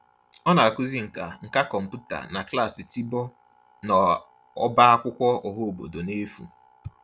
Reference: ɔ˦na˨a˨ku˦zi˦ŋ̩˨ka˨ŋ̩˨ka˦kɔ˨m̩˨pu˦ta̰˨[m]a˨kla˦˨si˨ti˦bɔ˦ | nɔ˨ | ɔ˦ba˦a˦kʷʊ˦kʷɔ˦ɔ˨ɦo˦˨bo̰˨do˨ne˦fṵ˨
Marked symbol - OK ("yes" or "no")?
no